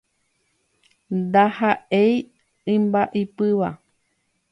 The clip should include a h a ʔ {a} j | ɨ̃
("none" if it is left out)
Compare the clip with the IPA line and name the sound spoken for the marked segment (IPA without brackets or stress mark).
e